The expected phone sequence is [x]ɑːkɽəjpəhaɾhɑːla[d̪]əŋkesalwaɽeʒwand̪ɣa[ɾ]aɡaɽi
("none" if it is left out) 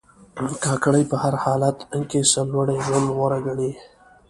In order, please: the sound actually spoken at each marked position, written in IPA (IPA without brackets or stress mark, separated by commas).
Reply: k, t̪, ɾ